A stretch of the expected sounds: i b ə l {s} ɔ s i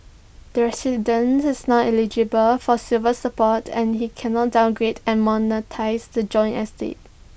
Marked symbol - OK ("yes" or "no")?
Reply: no